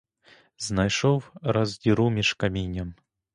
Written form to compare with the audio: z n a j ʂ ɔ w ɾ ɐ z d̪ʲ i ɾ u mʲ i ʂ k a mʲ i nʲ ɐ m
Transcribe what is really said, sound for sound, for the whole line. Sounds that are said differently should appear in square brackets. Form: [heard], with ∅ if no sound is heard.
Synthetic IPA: z n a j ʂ ɔ w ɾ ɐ z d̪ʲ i ɾ u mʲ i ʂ k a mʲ i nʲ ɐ m